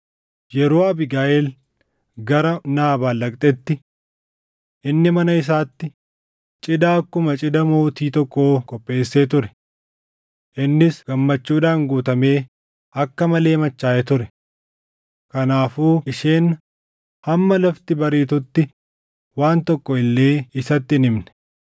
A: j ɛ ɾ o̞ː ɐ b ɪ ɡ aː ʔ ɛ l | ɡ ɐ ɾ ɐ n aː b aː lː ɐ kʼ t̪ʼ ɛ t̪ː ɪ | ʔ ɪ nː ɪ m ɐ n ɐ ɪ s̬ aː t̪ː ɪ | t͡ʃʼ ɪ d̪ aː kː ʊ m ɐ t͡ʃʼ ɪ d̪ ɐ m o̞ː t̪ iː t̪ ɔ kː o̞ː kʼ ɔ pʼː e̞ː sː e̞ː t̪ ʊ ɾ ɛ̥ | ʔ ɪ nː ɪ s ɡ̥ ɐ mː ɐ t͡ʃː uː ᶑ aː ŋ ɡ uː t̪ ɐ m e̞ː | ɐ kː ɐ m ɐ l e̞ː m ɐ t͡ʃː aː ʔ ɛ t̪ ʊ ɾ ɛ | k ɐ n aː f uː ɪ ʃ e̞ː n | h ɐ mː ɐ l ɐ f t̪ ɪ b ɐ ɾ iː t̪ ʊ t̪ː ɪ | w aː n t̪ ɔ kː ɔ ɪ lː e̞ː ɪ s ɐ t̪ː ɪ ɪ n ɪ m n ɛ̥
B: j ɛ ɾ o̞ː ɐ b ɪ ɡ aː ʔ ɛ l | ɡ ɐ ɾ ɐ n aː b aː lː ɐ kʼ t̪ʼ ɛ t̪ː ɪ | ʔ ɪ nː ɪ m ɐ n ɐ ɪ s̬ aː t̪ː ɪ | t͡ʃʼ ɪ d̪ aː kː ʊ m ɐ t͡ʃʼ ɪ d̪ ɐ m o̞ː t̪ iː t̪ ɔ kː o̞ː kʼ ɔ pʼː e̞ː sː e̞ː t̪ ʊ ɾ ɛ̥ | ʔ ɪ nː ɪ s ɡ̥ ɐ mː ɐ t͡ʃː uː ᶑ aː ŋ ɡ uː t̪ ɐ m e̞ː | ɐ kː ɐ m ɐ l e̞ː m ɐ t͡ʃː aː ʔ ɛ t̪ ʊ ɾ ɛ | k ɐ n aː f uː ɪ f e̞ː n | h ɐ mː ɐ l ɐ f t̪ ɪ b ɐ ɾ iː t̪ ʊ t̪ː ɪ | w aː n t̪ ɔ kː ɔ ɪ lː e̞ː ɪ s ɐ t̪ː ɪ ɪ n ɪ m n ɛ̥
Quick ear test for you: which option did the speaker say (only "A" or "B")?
A